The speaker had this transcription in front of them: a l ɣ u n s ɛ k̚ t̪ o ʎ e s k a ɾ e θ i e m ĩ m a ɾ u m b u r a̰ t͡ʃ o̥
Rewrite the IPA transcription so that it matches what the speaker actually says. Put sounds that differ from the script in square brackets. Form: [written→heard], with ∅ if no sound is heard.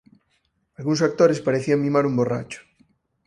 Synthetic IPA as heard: a l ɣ u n s [ɛ→a] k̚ t̪ o [ʎ→ɾ] e s [k→p] a ɾ e θ i [e→a] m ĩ m a ɾ u m b [u→o] r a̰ t͡ʃ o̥